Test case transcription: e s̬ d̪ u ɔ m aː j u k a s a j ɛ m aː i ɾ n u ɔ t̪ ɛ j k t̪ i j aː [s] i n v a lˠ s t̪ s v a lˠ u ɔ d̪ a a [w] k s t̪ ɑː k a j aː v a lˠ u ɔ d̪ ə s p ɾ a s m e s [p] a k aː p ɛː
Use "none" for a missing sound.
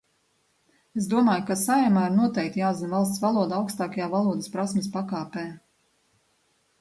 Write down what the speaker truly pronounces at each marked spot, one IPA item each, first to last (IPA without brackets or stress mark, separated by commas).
z, w, p